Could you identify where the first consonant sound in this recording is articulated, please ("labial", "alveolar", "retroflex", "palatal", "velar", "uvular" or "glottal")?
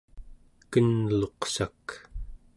velar